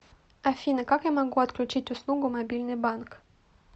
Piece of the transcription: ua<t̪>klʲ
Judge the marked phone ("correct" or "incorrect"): correct